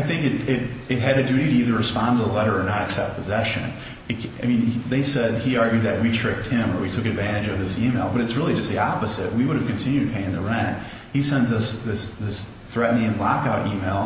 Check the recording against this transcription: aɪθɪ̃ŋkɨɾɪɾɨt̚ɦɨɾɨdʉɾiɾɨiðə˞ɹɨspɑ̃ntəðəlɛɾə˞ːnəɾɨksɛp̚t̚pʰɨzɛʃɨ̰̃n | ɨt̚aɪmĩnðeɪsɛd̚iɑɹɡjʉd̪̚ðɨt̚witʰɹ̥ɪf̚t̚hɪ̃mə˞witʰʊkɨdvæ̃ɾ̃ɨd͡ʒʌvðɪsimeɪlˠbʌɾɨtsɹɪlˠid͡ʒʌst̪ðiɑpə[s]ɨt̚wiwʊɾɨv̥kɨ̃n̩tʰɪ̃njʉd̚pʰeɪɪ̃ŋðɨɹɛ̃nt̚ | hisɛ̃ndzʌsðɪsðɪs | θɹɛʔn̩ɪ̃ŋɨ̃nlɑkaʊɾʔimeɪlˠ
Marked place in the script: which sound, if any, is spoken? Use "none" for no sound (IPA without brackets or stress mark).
z